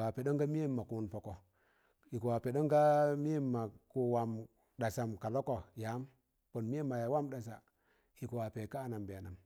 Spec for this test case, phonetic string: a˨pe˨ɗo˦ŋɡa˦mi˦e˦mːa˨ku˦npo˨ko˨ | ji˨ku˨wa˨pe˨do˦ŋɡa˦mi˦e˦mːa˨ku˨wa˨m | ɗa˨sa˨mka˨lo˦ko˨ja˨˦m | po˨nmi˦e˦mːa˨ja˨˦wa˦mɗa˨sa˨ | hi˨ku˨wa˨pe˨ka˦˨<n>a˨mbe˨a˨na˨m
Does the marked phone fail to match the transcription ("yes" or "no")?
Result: no